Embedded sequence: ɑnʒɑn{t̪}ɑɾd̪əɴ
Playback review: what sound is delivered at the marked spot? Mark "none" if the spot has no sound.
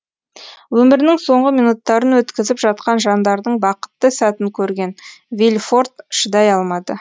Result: d̪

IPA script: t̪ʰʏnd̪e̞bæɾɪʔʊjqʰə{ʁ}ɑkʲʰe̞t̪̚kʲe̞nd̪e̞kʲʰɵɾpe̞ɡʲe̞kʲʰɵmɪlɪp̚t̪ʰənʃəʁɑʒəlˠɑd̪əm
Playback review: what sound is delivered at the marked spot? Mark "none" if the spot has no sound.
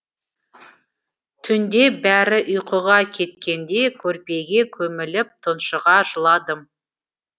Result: ʁ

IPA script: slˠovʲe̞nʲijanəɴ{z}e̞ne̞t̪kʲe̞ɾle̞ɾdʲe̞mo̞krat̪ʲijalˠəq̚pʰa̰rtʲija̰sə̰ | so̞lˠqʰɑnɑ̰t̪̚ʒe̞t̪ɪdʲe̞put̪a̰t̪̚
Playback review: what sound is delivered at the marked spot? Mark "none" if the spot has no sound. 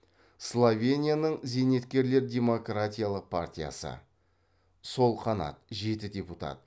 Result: z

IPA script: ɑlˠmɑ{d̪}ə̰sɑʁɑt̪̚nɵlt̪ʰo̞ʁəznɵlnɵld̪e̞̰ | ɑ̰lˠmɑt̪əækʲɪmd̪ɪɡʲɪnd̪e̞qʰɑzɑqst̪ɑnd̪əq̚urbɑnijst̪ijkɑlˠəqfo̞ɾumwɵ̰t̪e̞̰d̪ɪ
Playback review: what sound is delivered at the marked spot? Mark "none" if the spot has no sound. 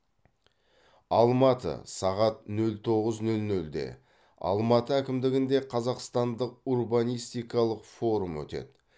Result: t̪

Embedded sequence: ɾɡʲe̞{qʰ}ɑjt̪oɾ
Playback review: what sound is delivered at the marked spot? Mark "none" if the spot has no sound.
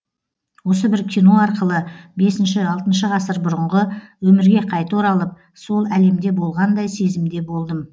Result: qʰ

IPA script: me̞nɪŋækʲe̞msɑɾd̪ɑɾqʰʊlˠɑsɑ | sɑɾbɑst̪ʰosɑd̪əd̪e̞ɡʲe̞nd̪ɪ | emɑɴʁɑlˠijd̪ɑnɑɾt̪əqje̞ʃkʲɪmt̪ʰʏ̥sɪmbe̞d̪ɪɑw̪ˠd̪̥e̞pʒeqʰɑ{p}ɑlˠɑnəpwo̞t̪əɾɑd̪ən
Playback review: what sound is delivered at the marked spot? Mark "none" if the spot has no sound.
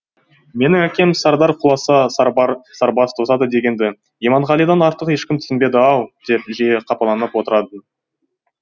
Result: p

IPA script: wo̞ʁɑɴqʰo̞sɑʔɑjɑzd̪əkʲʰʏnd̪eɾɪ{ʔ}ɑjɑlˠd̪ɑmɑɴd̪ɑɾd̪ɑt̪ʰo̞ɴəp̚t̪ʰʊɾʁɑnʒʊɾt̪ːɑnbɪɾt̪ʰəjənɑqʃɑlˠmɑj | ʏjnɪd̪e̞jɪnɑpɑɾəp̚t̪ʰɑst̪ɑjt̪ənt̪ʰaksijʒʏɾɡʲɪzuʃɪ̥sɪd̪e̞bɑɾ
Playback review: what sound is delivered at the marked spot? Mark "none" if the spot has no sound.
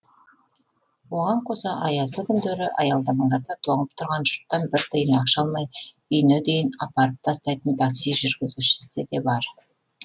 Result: ʔ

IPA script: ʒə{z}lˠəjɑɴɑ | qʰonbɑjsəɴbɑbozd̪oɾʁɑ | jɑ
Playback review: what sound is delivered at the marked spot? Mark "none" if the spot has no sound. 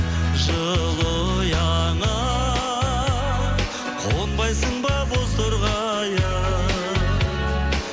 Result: none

